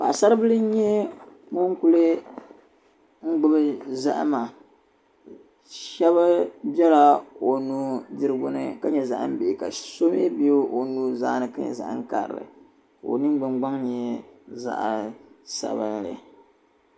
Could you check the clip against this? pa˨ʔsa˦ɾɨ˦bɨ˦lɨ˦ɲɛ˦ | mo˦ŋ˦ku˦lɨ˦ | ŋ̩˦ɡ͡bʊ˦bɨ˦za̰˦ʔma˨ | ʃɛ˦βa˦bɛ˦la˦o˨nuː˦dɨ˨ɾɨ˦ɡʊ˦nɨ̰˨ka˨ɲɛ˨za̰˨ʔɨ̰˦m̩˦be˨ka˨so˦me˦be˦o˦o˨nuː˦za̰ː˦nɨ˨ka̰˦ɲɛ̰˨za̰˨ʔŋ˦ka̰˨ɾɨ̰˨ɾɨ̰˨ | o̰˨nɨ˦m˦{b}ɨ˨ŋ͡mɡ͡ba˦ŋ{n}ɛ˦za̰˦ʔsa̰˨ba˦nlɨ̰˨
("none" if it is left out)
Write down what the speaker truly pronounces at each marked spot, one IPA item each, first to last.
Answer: ɡ͡b, ɲ

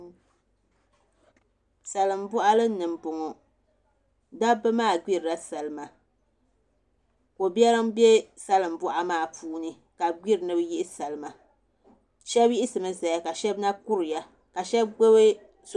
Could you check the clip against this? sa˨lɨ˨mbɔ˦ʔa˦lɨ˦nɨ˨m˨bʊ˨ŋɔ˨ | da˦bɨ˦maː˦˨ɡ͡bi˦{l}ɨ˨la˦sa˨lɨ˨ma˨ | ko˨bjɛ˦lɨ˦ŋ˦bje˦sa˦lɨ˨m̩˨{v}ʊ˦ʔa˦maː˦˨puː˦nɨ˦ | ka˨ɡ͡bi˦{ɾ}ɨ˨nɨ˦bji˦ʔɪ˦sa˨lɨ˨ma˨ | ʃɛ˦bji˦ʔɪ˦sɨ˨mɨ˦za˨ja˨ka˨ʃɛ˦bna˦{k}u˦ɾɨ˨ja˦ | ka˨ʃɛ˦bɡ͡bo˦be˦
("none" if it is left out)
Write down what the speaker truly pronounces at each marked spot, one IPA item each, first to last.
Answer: ɾ, b, ɾ, k

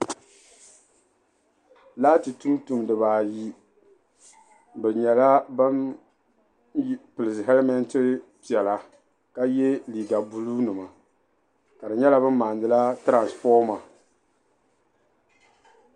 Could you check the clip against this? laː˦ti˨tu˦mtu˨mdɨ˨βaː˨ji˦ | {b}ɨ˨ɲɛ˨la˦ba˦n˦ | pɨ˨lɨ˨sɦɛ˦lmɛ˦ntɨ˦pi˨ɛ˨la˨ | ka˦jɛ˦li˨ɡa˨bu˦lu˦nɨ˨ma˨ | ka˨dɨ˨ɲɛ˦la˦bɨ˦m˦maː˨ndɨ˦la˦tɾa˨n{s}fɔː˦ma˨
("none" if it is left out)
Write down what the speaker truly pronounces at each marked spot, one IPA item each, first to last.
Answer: b, s

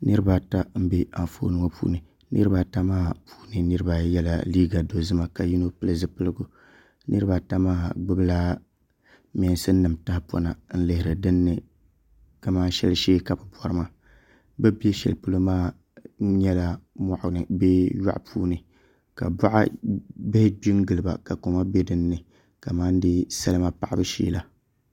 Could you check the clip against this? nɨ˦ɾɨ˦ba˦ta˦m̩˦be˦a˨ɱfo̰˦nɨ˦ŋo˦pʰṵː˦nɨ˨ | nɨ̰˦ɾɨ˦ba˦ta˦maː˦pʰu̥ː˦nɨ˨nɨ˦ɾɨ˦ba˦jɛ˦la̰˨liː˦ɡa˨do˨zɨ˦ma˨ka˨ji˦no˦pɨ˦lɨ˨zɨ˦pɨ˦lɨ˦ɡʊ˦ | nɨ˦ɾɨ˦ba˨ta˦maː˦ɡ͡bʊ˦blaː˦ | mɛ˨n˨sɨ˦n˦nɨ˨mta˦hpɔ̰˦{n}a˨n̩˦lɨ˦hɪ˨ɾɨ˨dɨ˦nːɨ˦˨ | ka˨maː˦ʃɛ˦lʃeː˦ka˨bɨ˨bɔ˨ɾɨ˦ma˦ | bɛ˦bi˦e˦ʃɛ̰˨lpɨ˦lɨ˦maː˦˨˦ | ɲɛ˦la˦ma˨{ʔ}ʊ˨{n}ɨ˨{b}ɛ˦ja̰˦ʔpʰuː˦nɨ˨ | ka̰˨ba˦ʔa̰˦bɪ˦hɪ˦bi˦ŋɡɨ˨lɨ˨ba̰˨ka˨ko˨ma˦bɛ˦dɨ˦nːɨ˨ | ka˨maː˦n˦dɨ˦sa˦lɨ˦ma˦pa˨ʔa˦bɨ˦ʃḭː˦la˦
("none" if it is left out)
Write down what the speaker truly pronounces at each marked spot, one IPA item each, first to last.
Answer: n, ʔ, n, b

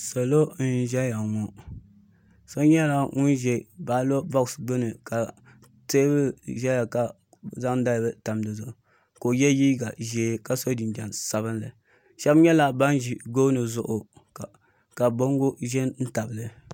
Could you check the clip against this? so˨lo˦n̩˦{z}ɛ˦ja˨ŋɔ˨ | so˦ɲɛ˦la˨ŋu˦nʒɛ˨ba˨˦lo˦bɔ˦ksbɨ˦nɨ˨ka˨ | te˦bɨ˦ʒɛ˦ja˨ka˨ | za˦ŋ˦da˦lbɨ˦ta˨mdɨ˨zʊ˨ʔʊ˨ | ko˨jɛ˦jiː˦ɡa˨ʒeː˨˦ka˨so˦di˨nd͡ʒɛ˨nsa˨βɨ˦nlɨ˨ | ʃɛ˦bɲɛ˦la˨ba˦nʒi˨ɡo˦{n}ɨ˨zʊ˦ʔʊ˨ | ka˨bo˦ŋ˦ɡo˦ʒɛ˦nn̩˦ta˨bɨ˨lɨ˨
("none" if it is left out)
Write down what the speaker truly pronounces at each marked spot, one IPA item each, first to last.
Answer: ʒ, n

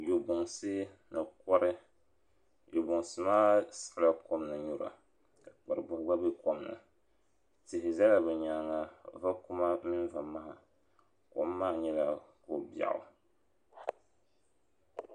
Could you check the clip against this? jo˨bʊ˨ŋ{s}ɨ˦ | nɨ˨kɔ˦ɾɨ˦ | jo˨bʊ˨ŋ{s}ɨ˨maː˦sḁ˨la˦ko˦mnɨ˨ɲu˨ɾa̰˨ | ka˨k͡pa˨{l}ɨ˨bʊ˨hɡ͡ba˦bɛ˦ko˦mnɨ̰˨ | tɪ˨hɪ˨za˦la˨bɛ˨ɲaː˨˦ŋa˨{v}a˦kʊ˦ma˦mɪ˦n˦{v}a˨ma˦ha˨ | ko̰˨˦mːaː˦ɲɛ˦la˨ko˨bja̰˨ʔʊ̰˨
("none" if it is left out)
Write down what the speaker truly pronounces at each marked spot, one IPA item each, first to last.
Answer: s, s, ɾ, v, v

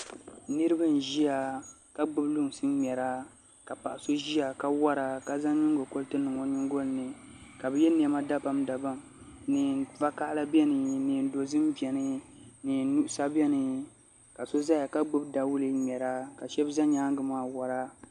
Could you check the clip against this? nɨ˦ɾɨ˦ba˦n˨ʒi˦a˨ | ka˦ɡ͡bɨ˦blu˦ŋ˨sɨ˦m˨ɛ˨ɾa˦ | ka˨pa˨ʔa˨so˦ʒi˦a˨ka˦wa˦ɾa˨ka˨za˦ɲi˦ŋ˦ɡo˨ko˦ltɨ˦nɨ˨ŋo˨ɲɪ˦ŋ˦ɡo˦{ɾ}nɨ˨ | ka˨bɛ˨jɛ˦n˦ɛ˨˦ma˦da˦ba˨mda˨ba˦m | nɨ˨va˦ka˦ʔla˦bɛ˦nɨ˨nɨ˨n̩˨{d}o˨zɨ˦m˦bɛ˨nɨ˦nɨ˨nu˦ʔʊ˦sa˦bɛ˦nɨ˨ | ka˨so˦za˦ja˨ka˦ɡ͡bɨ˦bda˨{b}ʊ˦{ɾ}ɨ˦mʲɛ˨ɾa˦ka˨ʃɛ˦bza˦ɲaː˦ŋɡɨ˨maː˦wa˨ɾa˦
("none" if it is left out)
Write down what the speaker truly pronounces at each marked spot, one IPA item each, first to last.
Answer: l, d, w, l

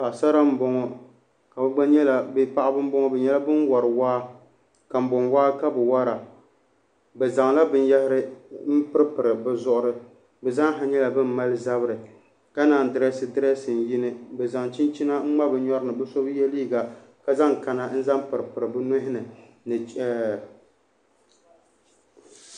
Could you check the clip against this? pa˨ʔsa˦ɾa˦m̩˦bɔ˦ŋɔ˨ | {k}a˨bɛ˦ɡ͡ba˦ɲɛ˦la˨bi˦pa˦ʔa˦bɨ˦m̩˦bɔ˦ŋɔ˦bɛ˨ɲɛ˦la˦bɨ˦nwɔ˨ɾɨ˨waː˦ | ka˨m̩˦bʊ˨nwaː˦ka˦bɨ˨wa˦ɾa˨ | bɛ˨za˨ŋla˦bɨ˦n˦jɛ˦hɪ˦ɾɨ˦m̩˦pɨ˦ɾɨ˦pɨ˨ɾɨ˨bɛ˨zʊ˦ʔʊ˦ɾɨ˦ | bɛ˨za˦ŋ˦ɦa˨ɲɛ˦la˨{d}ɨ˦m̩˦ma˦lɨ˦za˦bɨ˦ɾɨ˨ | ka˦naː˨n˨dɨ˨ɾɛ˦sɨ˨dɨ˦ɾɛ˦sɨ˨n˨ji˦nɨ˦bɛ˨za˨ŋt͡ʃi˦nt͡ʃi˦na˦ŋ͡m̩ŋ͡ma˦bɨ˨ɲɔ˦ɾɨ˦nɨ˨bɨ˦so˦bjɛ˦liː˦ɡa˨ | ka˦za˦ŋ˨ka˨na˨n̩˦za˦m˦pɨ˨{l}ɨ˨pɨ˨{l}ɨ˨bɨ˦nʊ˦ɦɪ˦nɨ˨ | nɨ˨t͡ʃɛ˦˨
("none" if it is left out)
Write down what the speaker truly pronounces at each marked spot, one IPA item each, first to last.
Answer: k, b, ɾ, ɾ

